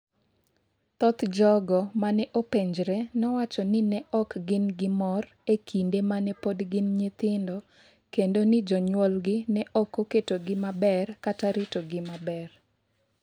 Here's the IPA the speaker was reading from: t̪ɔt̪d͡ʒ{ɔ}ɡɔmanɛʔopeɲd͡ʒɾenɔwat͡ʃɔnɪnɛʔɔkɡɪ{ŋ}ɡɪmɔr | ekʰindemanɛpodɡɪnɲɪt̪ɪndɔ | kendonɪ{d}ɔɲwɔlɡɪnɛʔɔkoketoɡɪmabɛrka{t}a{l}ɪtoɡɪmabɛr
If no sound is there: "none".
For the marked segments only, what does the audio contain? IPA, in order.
ɔ, n, d͡ʒ, t, ɾ

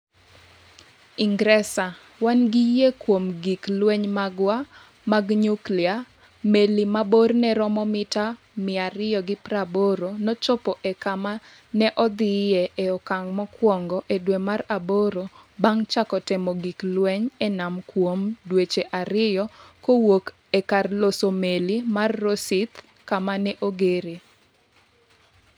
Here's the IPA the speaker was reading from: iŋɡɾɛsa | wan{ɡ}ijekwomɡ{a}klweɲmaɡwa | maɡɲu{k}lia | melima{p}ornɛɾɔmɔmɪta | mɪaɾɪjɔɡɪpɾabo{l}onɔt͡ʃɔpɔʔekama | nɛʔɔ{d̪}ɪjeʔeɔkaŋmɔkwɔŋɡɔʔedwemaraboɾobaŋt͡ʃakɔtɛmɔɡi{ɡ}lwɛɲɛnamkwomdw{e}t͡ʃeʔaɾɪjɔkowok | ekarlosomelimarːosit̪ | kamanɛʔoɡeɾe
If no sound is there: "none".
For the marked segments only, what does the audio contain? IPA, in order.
ɡ, i, k, b, ɾ, d̪, k, e

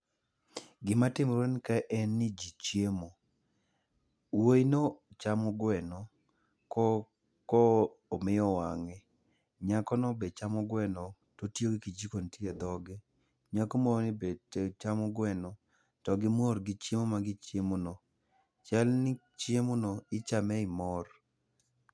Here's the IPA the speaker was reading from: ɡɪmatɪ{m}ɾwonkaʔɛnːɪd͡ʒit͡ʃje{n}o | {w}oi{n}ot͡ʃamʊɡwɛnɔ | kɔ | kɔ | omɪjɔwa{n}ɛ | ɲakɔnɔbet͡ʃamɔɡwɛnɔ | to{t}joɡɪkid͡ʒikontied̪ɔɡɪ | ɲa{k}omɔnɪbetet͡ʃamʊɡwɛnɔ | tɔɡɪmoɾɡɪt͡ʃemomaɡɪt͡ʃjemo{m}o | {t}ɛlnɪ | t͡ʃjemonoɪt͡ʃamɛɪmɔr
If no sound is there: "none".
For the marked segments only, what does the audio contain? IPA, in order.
m, m, w, n, ŋ, t, k, n, t͡ʃ

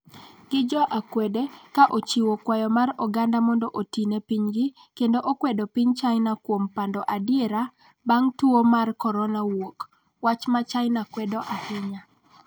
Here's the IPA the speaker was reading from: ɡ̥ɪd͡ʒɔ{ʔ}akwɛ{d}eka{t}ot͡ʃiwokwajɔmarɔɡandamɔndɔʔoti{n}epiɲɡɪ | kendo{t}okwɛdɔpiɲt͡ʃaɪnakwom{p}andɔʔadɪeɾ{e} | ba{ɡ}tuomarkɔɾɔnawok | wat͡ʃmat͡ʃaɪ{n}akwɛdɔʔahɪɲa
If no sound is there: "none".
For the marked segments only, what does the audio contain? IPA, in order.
ʔ, d, ʔ, n, ʔ, p, a, ŋ, n

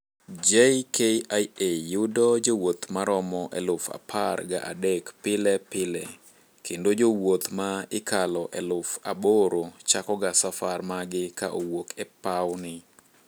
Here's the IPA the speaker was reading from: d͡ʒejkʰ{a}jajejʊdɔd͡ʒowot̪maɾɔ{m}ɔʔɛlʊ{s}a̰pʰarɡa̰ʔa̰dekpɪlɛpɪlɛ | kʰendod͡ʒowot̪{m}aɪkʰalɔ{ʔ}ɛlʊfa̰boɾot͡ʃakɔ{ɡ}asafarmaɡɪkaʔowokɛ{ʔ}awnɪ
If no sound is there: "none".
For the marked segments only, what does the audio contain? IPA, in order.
e, m, f, m, ʔ, ɡ, p

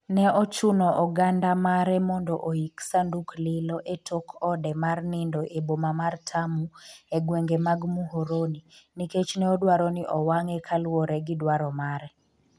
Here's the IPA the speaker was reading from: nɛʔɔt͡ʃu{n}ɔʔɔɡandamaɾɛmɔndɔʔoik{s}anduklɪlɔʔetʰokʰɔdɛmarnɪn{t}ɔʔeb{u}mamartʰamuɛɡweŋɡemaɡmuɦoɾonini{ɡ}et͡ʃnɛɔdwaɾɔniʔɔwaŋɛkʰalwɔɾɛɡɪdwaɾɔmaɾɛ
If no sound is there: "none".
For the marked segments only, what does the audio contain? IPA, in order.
n, s, d, o, k

